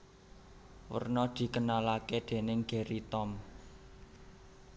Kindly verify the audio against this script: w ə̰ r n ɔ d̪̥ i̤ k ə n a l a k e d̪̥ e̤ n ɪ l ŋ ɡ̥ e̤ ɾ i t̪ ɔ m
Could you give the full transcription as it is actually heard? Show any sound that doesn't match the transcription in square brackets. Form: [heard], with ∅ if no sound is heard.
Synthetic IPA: w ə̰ r n ɔ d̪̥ i̤ k ə n a l a k e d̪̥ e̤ n ɪ [∅] ŋ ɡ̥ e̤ ɾ i t̪ ɔ m